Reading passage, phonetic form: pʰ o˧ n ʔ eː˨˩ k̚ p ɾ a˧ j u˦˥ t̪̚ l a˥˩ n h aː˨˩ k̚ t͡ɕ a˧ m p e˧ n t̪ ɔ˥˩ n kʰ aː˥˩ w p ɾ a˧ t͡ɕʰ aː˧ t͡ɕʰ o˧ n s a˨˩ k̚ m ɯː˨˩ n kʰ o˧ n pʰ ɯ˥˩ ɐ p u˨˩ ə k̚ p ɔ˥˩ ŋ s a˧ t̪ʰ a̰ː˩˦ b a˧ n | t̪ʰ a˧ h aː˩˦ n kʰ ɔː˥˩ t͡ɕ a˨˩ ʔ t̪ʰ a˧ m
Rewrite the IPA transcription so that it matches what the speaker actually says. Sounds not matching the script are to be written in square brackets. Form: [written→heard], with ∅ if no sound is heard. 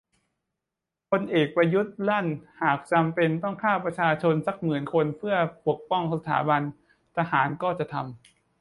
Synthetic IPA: pʰ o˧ n ʔ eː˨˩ k̚ p ɾ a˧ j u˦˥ t̪̚ l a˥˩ n h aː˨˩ k̚ t͡ɕ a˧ m p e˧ n t̪ ɔ˥˩ [n→ŋ] kʰ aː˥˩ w p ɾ a˧ t͡ɕʰ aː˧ t͡ɕʰ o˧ n s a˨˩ k̚ m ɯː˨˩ n kʰ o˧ n pʰ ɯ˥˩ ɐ p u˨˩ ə k̚ p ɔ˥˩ ŋ s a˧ t̪ʰ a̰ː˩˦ b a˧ n | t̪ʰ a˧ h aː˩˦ n [kʰ→k] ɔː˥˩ t͡ɕ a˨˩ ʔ t̪ʰ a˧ m